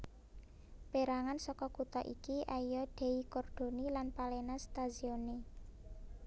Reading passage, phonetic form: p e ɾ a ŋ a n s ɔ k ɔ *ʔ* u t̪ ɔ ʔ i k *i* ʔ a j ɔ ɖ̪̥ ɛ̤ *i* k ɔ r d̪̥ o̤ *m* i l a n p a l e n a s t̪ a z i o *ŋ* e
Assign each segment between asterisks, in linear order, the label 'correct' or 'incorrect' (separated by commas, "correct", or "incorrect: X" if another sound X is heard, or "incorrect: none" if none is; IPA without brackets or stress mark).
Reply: incorrect: k, correct, correct, incorrect: n, incorrect: n